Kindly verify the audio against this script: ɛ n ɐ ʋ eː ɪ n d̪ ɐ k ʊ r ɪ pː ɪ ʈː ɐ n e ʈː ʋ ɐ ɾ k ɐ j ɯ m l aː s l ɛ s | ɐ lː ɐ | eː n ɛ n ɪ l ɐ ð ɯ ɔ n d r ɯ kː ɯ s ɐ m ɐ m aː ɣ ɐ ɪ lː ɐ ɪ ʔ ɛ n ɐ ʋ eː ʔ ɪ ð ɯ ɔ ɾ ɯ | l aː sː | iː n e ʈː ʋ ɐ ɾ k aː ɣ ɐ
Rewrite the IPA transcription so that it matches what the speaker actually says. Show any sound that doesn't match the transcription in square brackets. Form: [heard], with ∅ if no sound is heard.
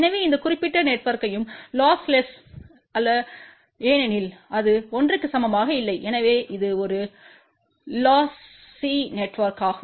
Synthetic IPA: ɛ n ɐ ʋ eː ɪ n d̪ ɐ k ʊ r ɪ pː ɪ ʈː ɐ n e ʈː ʋ ɐ ɾ k ɐ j ɯ m l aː s l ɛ s | ɐ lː ɐ | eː n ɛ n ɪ l ɐ ð ɯ ɔ n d r ɯ kː ɯ s ɐ m ɐ m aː ɣ ɐ ɪ lː ɐ ɪ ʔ ɛ n ɐ ʋ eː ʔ ɪ ð ɯ ɔ ɾ ɯ | l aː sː | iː n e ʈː ʋ ɐ ɾ k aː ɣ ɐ